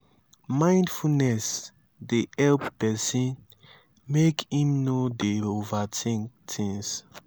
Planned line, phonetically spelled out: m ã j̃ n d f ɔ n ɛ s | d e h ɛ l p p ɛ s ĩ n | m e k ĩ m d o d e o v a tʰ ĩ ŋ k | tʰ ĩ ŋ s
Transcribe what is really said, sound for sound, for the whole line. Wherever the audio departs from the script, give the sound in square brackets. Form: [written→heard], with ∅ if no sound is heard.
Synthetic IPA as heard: m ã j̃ n d f [ɔ→u] n ɛ s | d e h ɛ l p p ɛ s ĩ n | m e k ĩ m [d→n] o d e o v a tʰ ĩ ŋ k | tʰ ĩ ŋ s

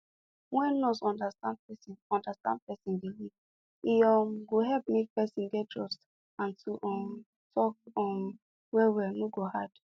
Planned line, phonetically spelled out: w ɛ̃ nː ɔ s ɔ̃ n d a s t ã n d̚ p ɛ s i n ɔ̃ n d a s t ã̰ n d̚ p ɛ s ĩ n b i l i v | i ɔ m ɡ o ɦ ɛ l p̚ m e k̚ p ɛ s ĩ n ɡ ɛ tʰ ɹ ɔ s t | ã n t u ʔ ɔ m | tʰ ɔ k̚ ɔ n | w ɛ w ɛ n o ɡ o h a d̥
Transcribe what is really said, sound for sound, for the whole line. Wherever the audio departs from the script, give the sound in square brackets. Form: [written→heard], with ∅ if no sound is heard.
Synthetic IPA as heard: w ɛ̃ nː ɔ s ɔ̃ n d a s t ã n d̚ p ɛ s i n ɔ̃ n d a s t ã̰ n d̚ p ɛ s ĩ n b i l i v | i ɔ m ɡ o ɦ ɛ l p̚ m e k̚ p ɛ s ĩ n ɡ ɛ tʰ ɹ ɔ s t | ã n t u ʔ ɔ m | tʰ ɔ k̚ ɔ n | w ɛ w ɛ n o ɡ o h a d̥

